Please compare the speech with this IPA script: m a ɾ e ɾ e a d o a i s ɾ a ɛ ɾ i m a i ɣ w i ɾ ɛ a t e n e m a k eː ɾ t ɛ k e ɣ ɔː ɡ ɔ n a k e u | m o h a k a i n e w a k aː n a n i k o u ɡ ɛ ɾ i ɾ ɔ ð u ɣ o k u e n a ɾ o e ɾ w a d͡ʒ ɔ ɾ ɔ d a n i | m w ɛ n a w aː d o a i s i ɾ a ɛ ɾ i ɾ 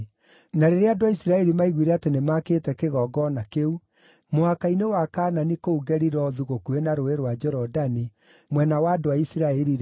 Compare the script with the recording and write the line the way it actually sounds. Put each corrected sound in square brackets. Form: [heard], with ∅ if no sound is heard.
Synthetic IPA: [n] a ɾ e ɾ e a d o a i s ɾ a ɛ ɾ i m a i ɣ w i ɾ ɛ a t e n e m a k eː [∅] t ɛ k e ɣ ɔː ɡ ɔ n a k e u | m o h a k a i n e w a k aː n a n i k o u ɡ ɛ ɾ i ɾ ɔ ð u ɣ o k u e n a ɾ o e ɾ w a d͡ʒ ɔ ɾ ɔ d a n i | m w ɛ n a w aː d o a i s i ɾ a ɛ ɾ i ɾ